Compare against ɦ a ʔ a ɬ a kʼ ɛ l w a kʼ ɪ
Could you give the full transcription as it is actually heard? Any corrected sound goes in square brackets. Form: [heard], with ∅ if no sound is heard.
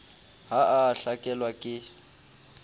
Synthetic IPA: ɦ a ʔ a ɬ a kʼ ɛ l w a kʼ ɪ

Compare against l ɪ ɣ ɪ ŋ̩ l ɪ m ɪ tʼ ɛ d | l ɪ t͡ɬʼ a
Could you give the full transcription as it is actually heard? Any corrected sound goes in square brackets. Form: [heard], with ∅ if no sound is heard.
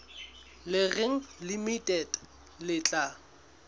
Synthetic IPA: l ɪ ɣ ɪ ŋ̩ l [i] m [i] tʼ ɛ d | l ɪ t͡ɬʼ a

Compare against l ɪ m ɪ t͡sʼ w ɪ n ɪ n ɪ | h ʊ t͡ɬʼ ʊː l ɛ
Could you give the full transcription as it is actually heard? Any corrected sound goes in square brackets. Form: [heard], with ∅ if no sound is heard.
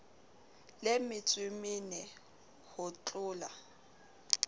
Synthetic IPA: l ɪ m ɪ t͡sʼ w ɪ [m] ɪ n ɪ | h ʊ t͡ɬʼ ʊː l [a]

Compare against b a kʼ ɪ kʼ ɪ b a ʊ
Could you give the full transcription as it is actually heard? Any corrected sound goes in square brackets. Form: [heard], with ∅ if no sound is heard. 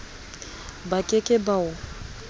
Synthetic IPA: b a kʼ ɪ kʼ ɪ b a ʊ

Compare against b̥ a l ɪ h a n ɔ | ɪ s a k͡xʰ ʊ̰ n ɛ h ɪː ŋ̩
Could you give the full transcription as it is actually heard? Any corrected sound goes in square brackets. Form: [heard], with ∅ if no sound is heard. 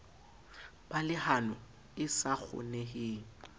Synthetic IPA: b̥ a l ɪ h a n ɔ | ɪ s a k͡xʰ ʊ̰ n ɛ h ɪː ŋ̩

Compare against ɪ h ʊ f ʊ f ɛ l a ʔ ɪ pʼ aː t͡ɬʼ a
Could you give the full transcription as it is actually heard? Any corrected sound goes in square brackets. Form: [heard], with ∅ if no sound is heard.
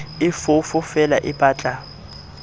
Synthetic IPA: ɪ [f] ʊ f ʊ f ɛ l a ʔ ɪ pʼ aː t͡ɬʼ a

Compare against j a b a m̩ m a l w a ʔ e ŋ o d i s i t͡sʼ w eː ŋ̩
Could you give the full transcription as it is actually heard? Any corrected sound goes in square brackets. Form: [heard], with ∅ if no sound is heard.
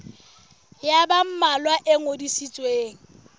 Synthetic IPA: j a b a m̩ m a l w a ʔ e ŋ o d i s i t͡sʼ w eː ŋ̩

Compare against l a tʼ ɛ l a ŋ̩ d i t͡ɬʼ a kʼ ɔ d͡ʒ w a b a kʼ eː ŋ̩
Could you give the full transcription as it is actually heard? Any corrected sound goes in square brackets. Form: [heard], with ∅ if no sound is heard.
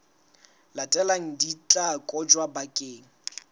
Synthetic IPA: l a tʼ ɛ l a ŋ̩ d i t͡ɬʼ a kʼ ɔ d͡ʒ w a b a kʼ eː ŋ̩

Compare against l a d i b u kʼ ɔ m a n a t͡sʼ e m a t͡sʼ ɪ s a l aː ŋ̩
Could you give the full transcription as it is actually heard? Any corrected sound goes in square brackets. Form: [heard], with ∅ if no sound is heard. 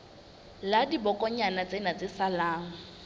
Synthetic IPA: l a d i b [ɔ] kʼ ɔ [ɲ] a n a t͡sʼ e [n] a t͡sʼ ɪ s a l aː ŋ̩

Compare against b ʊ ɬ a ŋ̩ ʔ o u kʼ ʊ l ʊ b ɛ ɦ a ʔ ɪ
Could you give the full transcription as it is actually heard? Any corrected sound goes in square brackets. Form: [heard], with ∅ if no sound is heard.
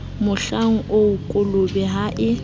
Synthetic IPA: [m] ʊ ɬ a ŋ̩ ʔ o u kʼ ʊ l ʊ b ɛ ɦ a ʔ ɪ

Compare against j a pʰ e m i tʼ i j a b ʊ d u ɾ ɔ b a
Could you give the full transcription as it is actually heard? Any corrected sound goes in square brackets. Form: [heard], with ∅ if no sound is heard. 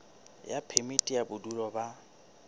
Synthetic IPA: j a pʰ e m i tʼ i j a b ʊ d u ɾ ɔ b a

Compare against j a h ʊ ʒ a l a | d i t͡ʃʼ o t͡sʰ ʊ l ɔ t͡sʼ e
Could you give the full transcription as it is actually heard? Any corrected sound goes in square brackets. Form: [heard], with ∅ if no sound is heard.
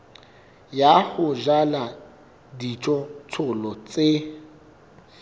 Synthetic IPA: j a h ʊ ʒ a l a | d i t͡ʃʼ [ɔ] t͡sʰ ʊ l ɔ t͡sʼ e

